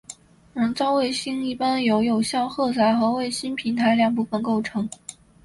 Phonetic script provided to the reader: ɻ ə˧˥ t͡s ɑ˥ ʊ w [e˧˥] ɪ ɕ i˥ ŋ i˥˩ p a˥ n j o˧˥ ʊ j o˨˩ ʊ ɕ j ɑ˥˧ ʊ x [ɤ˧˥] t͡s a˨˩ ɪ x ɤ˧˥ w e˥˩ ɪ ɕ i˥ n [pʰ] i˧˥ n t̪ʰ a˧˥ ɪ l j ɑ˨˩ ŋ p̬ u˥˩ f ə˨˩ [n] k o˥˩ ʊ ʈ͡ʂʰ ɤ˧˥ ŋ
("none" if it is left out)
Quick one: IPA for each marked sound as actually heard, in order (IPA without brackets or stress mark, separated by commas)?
e˥˩, ɤ˥˩, pʰ, n